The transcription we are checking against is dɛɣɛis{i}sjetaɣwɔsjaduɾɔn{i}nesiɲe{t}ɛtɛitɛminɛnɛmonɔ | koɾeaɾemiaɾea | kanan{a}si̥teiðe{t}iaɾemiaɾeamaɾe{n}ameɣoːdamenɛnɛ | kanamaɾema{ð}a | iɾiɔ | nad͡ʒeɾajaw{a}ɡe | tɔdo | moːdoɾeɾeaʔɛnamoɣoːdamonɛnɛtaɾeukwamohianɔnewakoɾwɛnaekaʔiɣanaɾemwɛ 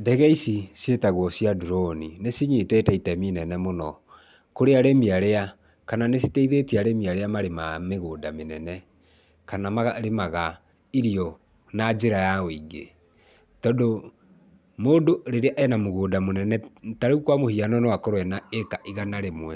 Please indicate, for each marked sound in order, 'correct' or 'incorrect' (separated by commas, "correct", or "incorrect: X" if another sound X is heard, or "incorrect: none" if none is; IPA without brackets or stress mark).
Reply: correct, correct, correct, incorrect: e, correct, incorrect: m, incorrect: ɣ, incorrect: i